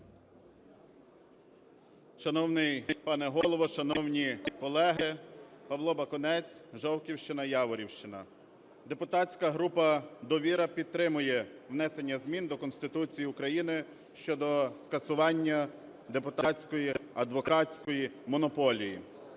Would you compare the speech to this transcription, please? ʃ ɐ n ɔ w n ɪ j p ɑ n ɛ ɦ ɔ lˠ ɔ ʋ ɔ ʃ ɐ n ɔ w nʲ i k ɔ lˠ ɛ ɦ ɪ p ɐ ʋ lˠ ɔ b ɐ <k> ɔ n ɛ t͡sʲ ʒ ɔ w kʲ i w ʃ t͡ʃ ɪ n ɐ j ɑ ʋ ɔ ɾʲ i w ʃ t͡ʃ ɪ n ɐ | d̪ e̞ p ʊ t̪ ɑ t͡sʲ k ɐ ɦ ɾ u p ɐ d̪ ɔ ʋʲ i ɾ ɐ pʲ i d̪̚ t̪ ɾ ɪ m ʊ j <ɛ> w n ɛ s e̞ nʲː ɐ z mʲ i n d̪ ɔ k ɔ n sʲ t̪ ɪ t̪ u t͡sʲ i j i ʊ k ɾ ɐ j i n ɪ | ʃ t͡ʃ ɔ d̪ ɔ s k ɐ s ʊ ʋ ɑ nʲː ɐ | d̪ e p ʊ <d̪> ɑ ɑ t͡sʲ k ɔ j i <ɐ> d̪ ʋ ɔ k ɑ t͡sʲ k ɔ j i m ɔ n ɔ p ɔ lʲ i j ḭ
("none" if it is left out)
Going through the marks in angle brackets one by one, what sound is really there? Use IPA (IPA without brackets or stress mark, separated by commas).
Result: k, ɛ, t̪, ɐ